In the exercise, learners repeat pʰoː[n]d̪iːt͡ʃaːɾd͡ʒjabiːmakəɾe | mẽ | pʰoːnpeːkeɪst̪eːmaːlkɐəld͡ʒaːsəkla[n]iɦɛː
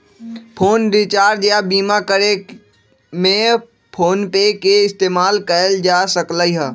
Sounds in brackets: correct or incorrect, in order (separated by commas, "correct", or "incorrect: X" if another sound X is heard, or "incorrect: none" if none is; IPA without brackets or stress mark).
correct, incorrect: none